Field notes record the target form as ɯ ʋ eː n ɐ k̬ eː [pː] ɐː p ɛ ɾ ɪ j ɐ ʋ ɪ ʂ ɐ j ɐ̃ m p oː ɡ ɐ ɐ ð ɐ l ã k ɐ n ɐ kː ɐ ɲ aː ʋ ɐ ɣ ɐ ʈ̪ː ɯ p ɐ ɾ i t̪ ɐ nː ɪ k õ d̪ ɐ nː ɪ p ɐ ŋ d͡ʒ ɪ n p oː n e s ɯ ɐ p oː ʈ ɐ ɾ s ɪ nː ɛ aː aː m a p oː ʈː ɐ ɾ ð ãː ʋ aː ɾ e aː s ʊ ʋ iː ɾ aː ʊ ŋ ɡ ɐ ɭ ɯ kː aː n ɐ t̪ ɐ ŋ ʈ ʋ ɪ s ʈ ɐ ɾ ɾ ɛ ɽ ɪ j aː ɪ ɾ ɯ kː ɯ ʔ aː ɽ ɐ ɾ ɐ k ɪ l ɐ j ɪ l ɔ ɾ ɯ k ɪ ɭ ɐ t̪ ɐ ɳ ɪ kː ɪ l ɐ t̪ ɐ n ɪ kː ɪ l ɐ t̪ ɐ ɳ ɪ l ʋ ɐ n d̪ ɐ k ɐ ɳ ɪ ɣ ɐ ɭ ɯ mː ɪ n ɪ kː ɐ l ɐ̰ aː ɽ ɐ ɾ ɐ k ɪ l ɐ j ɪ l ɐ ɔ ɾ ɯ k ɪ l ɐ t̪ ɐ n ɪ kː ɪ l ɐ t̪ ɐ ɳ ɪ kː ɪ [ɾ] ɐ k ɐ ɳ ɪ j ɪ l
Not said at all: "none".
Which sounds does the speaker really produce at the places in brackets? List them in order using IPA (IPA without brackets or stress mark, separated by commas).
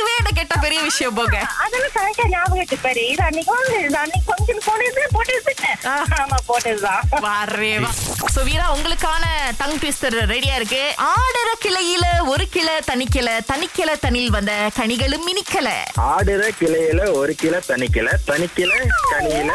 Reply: ʈː, l